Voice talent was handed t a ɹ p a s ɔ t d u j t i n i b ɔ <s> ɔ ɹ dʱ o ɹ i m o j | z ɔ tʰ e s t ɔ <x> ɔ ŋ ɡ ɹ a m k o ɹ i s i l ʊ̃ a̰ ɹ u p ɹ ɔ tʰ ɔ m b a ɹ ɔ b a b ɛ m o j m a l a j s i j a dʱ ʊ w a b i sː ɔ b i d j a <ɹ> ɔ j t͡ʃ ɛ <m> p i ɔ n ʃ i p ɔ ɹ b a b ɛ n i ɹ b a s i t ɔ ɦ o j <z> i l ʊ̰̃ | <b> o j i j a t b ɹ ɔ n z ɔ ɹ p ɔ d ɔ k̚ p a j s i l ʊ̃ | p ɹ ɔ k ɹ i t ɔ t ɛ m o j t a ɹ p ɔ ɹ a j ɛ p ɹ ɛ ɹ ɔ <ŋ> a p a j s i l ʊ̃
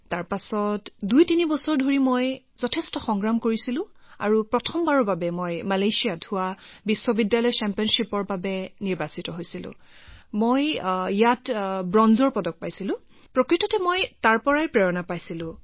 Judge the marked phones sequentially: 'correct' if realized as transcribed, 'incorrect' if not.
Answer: correct, correct, incorrect: l, correct, incorrect: s, incorrect: m, incorrect: n

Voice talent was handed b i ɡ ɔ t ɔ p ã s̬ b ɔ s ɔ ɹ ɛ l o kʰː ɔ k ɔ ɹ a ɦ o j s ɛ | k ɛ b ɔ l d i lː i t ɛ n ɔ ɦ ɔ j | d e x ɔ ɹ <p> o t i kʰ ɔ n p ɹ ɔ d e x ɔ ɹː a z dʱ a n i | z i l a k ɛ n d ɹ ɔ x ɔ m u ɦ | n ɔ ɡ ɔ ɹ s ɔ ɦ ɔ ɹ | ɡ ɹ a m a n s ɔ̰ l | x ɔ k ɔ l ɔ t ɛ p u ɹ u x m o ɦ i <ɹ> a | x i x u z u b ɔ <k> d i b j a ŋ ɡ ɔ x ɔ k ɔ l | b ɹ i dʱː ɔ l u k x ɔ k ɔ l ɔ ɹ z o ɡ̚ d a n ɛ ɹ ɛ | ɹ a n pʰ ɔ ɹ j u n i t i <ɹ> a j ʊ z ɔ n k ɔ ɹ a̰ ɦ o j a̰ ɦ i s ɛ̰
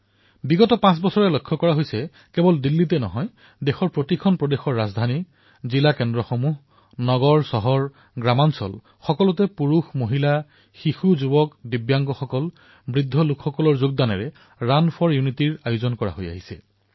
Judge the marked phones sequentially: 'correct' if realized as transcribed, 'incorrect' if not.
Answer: correct, incorrect: l, correct, correct

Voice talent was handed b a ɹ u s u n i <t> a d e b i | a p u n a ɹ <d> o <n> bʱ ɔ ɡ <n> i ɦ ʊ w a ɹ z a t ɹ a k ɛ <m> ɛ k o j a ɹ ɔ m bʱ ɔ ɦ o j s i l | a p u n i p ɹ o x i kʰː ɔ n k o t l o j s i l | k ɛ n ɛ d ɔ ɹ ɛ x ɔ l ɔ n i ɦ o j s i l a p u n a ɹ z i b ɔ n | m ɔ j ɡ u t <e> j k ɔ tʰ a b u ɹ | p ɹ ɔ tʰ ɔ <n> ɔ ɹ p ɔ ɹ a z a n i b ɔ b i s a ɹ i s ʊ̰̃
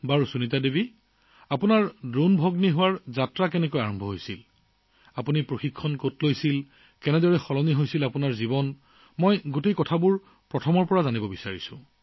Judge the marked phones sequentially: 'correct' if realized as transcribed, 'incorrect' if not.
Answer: correct, correct, correct, correct, incorrect: n, correct, incorrect: m

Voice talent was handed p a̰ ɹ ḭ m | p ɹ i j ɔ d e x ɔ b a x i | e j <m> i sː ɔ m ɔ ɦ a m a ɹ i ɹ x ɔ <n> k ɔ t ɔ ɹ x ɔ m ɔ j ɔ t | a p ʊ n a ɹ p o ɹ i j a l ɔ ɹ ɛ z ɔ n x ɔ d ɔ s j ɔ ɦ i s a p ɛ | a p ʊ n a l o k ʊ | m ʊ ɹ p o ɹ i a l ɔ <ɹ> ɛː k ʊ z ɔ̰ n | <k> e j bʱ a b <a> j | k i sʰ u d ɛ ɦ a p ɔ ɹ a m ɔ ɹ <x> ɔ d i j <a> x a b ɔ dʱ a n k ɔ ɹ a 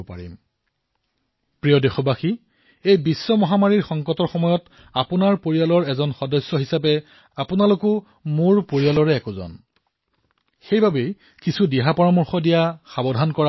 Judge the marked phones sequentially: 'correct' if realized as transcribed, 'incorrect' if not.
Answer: incorrect: b, incorrect: ŋ, correct, incorrect: x, incorrect: e, correct, correct

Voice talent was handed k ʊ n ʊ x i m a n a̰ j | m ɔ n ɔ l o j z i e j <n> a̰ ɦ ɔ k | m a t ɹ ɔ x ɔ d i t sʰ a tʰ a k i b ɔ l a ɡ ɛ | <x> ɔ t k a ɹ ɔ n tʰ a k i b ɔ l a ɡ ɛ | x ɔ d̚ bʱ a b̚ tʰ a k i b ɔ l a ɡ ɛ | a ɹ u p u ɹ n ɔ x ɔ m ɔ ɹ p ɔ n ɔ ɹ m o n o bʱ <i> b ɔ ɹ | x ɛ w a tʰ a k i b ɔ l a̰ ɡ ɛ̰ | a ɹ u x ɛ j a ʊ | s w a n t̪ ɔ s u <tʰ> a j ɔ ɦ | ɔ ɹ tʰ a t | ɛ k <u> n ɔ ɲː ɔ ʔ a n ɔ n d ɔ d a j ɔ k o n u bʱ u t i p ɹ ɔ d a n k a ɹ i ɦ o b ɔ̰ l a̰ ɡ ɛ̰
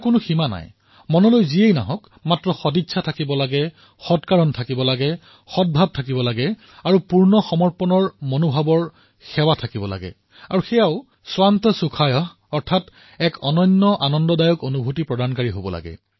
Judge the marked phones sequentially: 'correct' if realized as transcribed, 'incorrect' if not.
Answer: correct, correct, incorrect: a, incorrect: kʰ, incorrect: ɔ

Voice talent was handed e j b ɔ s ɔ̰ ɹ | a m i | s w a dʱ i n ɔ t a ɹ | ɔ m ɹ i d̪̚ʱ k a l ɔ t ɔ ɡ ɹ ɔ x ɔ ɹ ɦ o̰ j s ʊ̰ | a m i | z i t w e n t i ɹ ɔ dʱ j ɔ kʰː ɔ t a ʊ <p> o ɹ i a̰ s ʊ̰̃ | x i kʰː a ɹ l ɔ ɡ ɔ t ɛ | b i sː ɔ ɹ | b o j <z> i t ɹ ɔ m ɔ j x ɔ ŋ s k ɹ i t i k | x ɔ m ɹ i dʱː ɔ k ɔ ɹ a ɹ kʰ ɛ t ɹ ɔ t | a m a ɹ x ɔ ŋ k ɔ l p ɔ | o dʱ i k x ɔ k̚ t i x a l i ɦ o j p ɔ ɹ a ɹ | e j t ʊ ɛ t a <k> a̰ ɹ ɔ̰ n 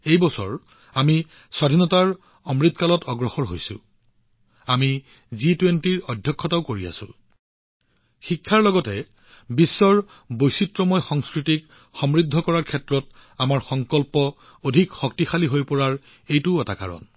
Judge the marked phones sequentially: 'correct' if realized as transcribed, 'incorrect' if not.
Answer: incorrect: k, incorrect: s, correct

